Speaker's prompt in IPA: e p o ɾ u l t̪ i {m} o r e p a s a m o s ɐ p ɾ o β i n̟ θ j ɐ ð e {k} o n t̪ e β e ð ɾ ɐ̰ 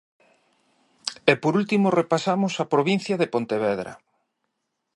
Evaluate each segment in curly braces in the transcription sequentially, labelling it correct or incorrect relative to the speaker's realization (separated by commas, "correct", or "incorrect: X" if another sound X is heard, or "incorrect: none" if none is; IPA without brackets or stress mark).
correct, incorrect: p